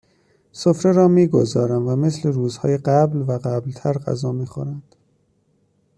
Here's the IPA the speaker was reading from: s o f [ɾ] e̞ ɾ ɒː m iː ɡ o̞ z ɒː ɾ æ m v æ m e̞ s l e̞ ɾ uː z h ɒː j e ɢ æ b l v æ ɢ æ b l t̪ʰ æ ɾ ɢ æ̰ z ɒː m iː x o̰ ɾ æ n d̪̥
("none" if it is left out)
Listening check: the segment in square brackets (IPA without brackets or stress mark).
ɾ